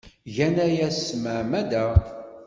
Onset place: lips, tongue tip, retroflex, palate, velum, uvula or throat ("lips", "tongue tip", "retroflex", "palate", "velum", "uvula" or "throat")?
palate